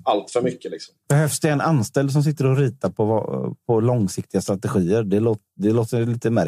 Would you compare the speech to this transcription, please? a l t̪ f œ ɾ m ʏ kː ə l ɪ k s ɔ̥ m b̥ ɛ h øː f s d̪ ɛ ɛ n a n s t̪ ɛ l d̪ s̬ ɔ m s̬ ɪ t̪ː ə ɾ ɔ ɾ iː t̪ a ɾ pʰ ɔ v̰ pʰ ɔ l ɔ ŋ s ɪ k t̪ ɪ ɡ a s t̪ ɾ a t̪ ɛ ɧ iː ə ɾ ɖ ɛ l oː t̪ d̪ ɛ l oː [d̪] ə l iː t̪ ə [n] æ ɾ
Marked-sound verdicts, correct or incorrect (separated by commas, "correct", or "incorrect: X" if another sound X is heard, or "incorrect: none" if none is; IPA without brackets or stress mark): incorrect: t̪, incorrect: m